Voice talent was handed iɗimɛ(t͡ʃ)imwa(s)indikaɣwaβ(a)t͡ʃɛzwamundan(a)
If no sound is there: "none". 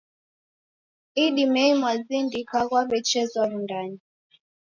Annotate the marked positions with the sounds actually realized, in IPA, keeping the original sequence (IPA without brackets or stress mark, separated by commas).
none, z, ɛ, i